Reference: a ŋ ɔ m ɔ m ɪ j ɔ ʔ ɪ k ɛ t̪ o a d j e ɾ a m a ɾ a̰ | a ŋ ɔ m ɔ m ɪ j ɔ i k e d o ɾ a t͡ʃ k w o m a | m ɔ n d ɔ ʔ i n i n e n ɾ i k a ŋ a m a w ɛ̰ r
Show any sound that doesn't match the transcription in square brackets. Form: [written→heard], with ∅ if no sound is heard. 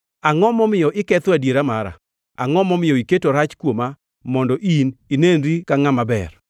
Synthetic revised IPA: a ŋ ɔ m ɔ m ɪ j ɔ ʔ ɪ k ɛ t̪ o a d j e ɾ a m a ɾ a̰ | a ŋ ɔ m ɔ m ɪ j ɔ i k e [d→t] o ɾ a t͡ʃ k w o m a | m ɔ n d ɔ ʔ i n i n e n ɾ i k a ŋ a m a [w→b] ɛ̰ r